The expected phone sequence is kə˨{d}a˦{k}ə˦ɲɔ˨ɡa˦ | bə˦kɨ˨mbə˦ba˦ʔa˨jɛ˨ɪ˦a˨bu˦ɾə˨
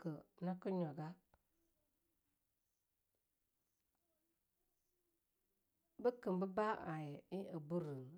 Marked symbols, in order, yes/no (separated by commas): no, yes